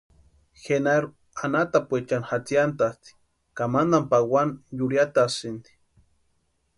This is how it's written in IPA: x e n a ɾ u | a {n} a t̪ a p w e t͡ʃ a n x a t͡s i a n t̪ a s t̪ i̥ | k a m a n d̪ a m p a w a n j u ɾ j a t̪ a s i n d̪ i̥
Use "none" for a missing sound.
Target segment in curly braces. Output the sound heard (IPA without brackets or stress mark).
n